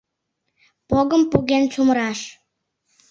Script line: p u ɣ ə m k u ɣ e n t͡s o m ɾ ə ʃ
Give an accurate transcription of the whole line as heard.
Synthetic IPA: p o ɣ ə m p u ɣ e n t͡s u m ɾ ɑ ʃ